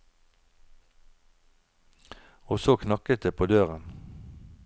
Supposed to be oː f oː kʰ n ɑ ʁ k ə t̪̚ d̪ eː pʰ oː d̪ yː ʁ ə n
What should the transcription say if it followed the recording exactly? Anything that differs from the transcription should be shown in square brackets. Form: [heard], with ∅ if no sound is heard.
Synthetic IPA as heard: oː [s] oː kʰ n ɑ [∅] k ə t̪̚ d̪ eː pʰ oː d̪ [øː] ʁ ə n